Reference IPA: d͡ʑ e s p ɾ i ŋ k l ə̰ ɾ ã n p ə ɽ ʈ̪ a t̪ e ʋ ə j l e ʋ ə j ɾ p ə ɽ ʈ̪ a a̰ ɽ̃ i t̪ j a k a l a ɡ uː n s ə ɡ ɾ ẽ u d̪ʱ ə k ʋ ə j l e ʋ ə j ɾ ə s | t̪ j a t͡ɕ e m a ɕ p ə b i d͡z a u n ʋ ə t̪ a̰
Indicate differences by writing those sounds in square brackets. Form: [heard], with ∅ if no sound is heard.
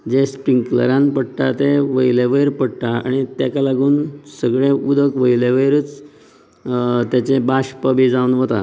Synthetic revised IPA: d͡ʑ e s p ɾ i ŋ k l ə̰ ɾ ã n p ə ɽ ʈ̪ a t̪ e ʋ ə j l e ʋ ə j ɾ p ə ɽ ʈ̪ a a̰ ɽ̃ i t̪ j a k a l a ɡ uː n s ə ɡ [ɭ] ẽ u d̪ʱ ə k ʋ ə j l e ʋ ə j ɾ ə [t͡s] | t̪ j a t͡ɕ e [b] a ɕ p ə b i d͡z a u n ʋ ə t̪ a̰